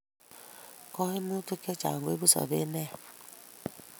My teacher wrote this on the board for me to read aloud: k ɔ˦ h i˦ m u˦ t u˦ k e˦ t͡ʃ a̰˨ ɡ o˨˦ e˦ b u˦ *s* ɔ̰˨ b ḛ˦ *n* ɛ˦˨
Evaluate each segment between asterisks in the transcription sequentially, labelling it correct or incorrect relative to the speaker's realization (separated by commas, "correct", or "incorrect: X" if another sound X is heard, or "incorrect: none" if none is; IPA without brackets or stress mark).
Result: correct, correct